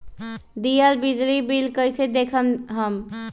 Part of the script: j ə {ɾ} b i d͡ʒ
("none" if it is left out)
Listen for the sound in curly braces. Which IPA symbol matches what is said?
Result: l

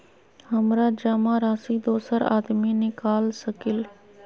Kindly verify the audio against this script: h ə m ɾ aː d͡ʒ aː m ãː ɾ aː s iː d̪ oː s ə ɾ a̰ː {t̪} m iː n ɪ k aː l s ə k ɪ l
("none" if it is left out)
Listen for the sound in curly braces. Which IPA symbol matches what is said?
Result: d̪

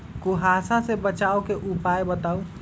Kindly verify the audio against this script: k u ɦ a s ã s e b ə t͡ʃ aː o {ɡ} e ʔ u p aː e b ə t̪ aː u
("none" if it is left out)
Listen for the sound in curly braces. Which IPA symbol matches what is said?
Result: k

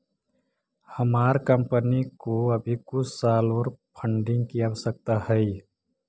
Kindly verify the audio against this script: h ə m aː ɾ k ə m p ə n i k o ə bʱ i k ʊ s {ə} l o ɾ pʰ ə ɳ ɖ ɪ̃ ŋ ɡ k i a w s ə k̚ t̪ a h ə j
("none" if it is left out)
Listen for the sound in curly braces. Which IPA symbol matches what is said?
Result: a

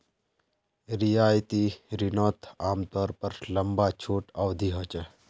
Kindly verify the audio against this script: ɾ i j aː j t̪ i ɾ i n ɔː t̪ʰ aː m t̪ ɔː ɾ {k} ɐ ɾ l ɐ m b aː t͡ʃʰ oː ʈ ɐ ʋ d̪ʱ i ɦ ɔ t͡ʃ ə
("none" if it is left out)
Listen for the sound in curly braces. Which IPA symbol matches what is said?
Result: p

